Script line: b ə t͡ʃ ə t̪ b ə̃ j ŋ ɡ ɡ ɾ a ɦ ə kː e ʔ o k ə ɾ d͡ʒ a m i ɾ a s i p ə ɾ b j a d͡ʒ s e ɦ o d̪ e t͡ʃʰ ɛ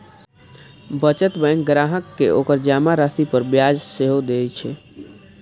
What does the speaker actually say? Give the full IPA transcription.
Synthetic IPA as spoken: b ə t͡ʃ ə t̪ b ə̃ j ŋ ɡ ɡ ɾ a ɦ ə kː e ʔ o k ə ɾ d͡ʒ a m a ɾ a s i p ə ɾ b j a d͡ʒ s e ɦ o d̪ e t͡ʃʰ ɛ

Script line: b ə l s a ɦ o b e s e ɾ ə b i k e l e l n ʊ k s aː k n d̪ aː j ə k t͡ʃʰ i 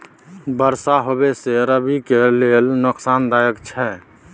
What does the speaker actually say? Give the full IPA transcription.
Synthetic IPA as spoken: b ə ɾ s a ɦ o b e s e ɾ ə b i k e l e l n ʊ k s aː n d̪ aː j ə k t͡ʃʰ ɛ

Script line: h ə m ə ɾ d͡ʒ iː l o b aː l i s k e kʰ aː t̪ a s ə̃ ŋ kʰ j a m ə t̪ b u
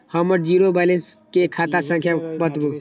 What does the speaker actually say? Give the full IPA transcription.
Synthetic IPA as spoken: h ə m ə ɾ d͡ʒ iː ɾ o b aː l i s k e kʰ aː t̪ a s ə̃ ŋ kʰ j a b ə t̪ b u

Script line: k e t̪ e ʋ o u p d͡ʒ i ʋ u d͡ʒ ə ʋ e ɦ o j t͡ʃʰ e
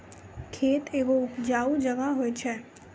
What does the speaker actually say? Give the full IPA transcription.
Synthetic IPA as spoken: kʰ e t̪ e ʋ o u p d͡ʒ a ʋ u d͡ʒ ə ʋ a ɦ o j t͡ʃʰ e

